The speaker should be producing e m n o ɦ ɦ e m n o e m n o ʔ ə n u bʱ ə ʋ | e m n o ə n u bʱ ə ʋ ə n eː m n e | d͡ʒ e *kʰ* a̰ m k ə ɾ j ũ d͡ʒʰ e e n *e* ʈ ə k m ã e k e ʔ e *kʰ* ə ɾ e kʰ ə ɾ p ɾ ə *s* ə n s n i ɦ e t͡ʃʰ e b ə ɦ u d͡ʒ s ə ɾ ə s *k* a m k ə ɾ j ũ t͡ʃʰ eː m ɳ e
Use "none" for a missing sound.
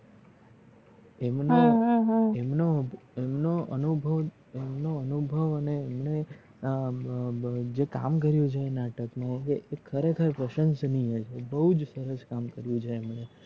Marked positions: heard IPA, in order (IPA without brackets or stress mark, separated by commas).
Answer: k, a, kʰ, ʃ, k